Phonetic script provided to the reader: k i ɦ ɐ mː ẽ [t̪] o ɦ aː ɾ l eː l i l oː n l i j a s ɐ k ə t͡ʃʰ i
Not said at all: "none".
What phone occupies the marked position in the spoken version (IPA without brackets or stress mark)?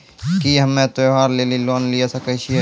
t̪